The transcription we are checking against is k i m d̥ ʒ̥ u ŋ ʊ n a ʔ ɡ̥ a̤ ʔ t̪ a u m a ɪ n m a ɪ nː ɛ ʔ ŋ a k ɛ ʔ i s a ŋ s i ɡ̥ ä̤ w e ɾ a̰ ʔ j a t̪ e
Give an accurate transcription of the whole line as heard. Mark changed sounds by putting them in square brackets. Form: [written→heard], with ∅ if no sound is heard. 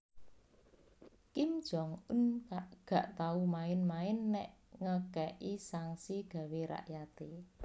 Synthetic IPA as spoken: k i m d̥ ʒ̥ [u→ɔ] ŋ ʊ n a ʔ ɡ̥ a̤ ʔ t̪ a u m a ɪ n m a ɪ nː ɛ ʔ ŋ [a→ə] k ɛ ʔ i s a ŋ s i ɡ̥ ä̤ w e ɾ a̰ ʔ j a t̪ e